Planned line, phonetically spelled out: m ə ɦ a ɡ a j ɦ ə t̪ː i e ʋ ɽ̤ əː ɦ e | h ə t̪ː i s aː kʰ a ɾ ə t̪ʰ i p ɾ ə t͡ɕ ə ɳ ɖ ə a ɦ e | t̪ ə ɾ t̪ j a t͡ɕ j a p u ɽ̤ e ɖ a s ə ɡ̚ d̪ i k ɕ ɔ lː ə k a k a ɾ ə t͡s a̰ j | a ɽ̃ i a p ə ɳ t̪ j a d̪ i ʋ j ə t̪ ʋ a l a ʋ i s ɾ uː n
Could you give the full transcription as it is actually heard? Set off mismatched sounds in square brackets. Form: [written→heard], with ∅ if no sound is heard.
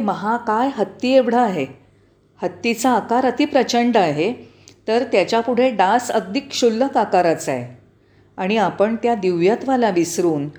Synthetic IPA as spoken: m ə ɦ a [ɡ→k] a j ɦ ə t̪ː i e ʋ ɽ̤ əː ɦ e | h ə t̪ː i [s→t͡s] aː [kʰ→k] a ɾ ə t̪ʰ i p ɾ ə t͡ɕ ə ɳ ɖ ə a ɦ e | t̪ ə ɾ t̪ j a t͡ɕ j a p u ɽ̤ e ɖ a s ə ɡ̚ d̪ i k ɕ [ɔ→u] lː ə k a k a ɾ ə t͡s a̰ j | a ɽ̃ i a p ə ɳ t̪ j a d̪ i ʋ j ə t̪ ʋ a l a ʋ i s ɾ uː n